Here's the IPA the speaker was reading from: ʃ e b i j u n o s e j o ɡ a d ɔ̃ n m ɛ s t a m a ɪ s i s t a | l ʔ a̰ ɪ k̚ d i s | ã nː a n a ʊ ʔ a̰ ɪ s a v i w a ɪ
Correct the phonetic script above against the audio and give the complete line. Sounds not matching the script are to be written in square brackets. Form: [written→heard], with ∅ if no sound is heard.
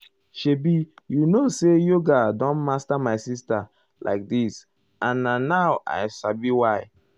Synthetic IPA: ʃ e b i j u n o s e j o ɡ a d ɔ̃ n m [ɛ→a] s t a m a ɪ s i s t a | l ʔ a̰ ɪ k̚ d i s | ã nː a n a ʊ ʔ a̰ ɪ s a [v→b] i w a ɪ